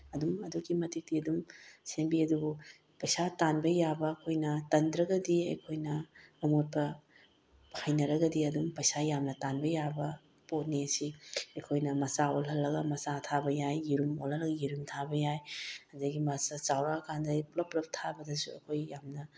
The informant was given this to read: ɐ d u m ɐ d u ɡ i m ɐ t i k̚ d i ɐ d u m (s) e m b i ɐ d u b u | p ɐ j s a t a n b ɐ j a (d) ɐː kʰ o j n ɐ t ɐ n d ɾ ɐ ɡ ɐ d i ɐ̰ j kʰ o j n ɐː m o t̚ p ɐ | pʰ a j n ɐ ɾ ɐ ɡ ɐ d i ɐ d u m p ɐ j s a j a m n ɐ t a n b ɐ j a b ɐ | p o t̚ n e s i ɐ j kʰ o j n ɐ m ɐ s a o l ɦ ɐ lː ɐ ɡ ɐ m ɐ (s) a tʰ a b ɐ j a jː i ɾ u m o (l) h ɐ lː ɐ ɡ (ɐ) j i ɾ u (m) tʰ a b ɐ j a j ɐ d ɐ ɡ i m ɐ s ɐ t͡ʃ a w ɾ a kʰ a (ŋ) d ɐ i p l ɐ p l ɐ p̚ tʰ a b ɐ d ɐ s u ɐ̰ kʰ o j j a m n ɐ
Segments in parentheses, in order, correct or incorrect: correct, incorrect, correct, correct, correct, correct, incorrect

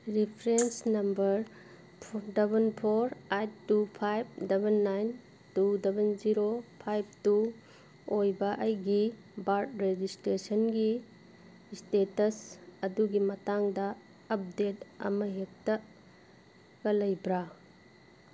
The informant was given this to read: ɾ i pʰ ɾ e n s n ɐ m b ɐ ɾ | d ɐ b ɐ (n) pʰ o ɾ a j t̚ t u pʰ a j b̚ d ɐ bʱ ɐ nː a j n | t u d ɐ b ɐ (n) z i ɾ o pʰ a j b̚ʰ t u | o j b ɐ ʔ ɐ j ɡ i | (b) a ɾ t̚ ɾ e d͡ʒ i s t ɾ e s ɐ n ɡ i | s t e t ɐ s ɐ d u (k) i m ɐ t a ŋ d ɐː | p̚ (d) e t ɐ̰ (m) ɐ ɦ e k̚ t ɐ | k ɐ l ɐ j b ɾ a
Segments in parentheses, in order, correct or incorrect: correct, correct, correct, incorrect, correct, correct

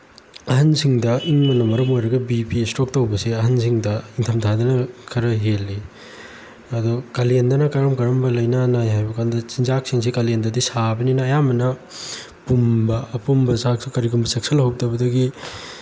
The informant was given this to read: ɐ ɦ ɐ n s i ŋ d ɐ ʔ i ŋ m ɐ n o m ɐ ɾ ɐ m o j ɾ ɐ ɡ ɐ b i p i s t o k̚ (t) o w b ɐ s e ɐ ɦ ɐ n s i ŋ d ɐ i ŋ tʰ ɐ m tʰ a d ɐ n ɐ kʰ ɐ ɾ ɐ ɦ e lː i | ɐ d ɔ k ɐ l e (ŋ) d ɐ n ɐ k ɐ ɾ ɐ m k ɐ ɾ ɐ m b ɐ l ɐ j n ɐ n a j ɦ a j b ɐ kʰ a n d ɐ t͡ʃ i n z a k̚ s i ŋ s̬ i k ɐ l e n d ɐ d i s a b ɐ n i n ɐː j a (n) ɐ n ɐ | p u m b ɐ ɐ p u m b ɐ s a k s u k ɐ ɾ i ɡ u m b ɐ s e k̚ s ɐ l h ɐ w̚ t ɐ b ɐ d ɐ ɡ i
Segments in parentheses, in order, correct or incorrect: correct, incorrect, incorrect

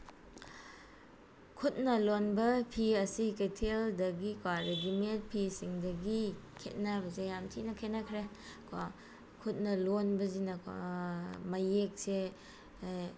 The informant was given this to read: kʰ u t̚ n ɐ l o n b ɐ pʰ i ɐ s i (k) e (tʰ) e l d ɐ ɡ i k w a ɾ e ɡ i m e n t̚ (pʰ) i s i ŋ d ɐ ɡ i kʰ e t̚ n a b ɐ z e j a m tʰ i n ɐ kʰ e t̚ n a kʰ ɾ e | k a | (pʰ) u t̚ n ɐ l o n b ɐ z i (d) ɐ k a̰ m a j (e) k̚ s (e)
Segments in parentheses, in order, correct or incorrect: correct, correct, correct, incorrect, incorrect, correct, correct

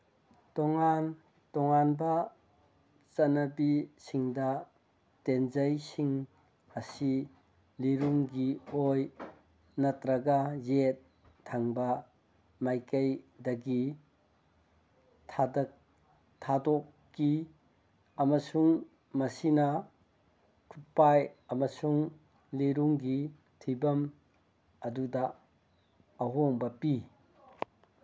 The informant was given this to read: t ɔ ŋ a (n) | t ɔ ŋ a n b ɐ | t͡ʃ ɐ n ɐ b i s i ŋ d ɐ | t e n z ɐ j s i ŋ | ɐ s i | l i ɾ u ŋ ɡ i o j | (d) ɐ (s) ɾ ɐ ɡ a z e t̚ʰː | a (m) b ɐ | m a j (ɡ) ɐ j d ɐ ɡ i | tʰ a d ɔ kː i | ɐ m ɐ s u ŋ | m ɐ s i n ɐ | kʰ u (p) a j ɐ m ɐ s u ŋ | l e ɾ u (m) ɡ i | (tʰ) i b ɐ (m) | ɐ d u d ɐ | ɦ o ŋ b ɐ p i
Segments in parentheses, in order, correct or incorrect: correct, incorrect, incorrect, incorrect, incorrect, correct, incorrect, correct, correct

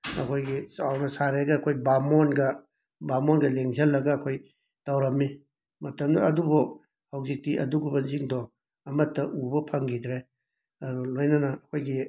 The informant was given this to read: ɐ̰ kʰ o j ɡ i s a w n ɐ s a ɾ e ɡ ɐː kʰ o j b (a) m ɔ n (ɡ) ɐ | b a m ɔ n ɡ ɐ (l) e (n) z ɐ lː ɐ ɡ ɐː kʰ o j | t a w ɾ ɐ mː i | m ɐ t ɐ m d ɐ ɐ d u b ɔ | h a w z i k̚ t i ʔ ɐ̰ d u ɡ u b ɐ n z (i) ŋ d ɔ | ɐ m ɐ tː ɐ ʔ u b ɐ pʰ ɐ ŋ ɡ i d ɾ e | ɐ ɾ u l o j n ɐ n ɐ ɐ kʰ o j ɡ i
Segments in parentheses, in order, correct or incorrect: correct, correct, correct, incorrect, correct

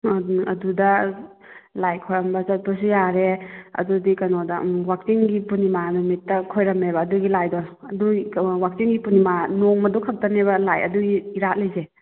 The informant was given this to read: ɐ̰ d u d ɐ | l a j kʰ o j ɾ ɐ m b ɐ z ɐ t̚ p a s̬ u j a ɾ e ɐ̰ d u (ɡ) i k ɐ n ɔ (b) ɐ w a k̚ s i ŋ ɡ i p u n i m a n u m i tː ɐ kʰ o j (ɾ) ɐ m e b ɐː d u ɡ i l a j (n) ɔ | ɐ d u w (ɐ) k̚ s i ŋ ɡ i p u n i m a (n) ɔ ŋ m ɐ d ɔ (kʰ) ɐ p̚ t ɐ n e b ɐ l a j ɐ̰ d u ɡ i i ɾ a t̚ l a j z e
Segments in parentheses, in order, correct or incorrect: incorrect, incorrect, correct, incorrect, incorrect, correct, correct

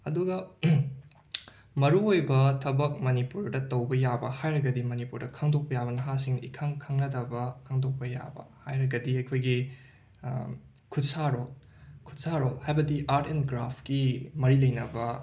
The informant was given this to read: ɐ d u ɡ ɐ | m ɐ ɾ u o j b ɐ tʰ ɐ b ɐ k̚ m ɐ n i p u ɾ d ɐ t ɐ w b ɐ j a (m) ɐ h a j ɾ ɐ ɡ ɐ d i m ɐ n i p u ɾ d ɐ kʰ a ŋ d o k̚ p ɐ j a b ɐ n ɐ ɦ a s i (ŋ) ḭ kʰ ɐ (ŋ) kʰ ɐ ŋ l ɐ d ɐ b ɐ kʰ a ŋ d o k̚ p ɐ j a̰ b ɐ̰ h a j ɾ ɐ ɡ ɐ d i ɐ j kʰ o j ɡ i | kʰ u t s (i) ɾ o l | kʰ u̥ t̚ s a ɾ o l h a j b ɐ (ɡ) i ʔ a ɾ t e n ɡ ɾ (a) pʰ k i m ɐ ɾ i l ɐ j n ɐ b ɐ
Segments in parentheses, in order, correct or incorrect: incorrect, correct, correct, incorrect, incorrect, correct

